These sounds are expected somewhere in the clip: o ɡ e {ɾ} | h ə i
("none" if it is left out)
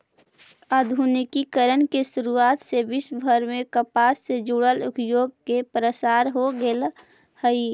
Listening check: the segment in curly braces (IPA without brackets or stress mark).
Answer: l